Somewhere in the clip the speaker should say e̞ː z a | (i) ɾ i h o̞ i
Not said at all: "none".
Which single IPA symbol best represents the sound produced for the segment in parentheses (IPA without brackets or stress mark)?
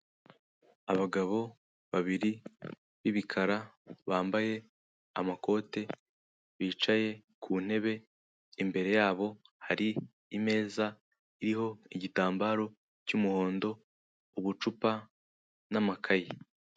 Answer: i